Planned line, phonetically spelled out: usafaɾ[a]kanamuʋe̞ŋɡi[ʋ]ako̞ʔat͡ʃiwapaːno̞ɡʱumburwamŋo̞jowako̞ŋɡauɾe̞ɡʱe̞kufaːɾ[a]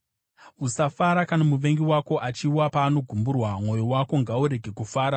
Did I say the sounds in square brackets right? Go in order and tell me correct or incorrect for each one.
correct, incorrect, correct

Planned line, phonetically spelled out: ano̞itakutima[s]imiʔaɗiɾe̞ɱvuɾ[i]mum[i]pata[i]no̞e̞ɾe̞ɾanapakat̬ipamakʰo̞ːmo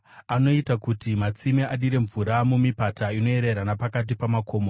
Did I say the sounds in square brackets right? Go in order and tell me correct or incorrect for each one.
incorrect, incorrect, correct, correct

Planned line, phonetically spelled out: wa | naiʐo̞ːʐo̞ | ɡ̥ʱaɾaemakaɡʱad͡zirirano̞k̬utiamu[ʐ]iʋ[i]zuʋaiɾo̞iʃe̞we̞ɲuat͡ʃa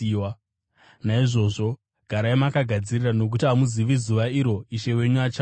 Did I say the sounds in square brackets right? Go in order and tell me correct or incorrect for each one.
incorrect, correct

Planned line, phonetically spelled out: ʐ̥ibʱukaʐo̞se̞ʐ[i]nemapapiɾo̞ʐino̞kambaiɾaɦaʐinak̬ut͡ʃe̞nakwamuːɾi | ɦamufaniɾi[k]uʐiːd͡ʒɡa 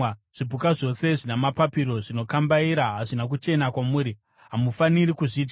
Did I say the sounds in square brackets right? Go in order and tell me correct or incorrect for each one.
correct, correct

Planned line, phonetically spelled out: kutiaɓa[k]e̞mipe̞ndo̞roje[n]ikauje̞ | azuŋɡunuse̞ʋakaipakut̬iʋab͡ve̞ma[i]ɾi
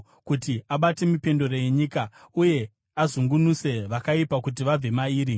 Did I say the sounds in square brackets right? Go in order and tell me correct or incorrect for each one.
incorrect, incorrect, incorrect

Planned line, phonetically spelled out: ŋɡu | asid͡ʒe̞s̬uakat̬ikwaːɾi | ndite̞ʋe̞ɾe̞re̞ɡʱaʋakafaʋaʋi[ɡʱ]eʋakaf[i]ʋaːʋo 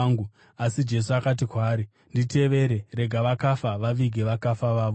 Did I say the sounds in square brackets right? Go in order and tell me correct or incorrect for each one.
correct, incorrect

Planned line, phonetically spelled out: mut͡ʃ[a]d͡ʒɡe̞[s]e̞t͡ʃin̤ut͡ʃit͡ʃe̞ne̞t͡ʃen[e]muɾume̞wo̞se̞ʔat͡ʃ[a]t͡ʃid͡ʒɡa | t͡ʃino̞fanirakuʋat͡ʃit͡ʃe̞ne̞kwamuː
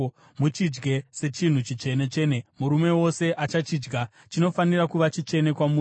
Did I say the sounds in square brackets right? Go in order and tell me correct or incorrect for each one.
incorrect, correct, correct, correct

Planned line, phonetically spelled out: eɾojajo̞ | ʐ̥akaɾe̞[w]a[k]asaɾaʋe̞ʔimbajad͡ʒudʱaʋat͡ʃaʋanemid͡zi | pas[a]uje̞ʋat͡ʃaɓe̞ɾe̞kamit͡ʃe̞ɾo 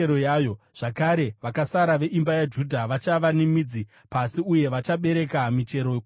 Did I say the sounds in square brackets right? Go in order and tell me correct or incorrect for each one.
incorrect, correct, incorrect

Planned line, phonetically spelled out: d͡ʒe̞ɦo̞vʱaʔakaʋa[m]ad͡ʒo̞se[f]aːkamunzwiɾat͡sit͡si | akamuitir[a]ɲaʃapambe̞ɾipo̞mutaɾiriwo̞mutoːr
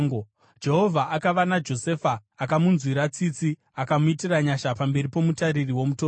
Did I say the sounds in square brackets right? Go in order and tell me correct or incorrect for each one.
incorrect, correct, correct

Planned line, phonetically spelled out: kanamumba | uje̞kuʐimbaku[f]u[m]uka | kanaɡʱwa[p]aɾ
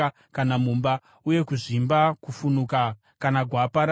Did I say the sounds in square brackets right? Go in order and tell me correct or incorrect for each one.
correct, incorrect, correct

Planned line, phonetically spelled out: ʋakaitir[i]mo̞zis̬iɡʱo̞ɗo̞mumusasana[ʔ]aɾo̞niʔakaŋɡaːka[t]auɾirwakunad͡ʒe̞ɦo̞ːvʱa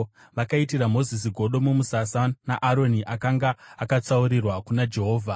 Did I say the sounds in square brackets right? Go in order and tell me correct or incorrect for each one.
incorrect, correct, incorrect

